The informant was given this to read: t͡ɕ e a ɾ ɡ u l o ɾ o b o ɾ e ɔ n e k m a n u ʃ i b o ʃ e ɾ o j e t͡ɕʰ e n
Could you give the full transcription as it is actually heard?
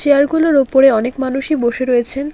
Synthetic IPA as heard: t͡ɕ e a ɾ ɡ u l o ɾ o p o ɾ e ɔ n e k m a n u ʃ i b o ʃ e ɾ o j e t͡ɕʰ e n